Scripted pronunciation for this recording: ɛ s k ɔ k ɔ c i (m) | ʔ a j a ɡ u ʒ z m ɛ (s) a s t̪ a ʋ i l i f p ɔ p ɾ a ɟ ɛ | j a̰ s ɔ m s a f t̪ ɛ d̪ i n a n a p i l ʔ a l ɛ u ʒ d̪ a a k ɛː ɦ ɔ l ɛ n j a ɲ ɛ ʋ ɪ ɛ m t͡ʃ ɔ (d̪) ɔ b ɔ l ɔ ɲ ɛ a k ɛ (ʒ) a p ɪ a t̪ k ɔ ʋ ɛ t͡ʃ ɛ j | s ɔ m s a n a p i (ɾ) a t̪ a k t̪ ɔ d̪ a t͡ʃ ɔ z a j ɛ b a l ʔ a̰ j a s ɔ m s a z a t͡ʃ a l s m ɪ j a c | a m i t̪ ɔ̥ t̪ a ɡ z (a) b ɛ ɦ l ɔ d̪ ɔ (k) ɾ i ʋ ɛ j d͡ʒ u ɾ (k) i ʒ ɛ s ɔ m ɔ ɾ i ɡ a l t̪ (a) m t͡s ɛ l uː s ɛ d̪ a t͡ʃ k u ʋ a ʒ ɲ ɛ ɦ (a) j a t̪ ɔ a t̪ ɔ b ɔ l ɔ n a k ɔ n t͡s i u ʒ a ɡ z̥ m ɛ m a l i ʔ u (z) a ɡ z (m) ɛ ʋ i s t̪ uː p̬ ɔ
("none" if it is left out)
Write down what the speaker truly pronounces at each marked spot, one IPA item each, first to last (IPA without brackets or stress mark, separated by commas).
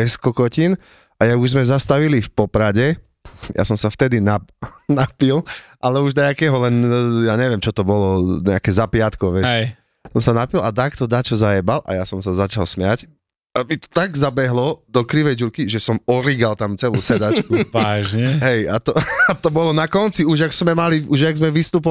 n, z, t̪, z, l, a, k, k, a, ɛ, ʒ, m